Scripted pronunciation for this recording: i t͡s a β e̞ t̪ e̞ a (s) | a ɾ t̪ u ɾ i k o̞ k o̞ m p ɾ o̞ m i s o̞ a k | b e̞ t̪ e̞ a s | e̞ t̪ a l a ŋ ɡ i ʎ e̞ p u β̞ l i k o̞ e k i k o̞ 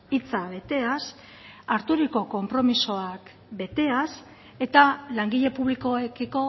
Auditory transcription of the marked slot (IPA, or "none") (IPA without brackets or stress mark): s